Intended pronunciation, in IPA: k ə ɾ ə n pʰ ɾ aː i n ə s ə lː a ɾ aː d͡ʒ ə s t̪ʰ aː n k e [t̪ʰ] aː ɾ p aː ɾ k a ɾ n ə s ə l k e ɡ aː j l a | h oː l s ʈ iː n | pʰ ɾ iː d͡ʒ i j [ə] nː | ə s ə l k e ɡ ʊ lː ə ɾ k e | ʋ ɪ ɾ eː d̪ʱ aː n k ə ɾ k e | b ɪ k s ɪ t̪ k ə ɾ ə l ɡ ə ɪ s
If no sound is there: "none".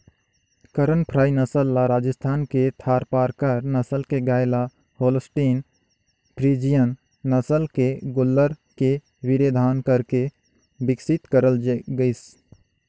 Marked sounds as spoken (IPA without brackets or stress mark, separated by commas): t̪ʰ, ə